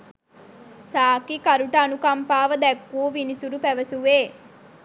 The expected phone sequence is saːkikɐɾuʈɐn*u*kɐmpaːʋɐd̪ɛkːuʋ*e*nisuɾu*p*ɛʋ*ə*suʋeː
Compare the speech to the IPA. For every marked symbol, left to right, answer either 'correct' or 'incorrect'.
correct, incorrect: i, correct, incorrect: ɐ

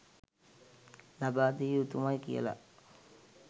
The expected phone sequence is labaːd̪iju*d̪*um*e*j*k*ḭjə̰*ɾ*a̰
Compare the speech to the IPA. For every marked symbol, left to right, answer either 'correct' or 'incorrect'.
incorrect: t̪, incorrect: a, correct, incorrect: l

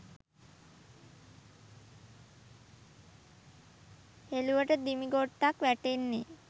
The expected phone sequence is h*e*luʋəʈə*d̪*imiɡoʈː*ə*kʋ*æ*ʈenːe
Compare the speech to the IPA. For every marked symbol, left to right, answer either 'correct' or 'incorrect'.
correct, correct, incorrect: a, correct

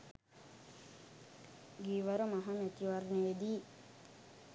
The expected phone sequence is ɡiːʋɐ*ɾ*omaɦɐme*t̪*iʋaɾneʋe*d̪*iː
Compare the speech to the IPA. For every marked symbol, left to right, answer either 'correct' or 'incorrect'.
correct, correct, correct

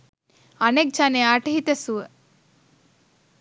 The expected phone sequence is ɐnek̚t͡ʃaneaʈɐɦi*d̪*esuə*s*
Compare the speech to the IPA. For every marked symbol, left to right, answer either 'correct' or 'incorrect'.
incorrect: t̪, incorrect: none

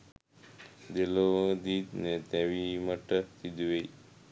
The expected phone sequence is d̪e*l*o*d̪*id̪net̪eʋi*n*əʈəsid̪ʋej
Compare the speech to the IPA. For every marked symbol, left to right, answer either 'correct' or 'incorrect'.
correct, correct, incorrect: m

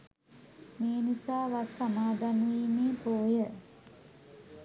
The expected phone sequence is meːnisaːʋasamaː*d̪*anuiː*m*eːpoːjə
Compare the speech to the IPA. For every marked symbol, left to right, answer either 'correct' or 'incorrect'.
correct, correct

